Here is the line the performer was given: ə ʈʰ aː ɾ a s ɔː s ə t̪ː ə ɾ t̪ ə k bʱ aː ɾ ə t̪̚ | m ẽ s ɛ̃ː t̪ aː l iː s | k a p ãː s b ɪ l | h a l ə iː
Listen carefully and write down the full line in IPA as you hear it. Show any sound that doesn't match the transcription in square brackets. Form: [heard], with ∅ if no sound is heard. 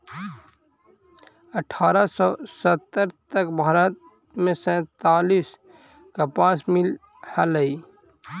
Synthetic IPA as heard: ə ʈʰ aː ɾ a s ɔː s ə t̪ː ə ɾ t̪ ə k bʱ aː ɾ ə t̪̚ | m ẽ s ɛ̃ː t̪ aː l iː s | k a p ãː s [m] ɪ l | h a l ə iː